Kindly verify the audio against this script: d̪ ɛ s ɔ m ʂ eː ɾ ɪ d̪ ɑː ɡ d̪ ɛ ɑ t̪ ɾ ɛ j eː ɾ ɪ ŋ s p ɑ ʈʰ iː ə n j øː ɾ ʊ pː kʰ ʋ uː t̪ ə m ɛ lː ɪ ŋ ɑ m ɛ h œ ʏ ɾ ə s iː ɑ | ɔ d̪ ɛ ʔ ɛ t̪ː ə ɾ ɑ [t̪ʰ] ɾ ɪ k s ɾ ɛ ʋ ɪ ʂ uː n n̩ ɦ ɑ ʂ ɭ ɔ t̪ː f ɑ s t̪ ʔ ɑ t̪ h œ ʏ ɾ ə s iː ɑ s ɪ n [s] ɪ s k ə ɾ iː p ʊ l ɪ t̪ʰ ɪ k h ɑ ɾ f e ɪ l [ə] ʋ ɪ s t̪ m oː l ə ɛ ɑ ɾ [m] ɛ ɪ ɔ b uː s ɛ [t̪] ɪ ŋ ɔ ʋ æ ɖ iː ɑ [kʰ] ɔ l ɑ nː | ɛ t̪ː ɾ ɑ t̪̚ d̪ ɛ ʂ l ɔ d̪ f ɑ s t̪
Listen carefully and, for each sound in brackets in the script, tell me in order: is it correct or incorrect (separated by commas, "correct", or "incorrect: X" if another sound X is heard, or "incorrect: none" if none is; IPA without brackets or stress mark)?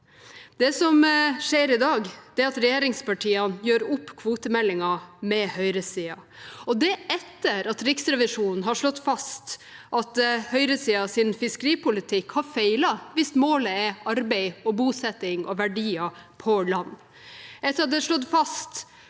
incorrect: t̪, incorrect: f, incorrect: ɑ, incorrect: b, correct, incorrect: pʰ